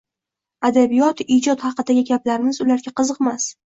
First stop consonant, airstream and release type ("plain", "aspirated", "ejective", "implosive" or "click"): plain